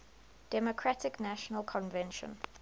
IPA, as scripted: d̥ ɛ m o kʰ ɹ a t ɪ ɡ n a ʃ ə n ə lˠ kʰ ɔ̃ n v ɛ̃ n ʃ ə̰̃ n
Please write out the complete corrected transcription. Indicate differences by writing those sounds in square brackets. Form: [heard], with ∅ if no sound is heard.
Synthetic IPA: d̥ ɛ m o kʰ ɹ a t ɪ [k] n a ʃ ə n ə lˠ kʰ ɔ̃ n v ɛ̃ n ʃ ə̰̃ n